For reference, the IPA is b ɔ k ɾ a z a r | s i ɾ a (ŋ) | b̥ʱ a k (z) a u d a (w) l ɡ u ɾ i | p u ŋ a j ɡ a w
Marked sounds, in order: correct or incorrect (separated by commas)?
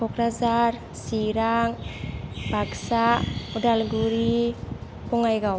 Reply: correct, incorrect, incorrect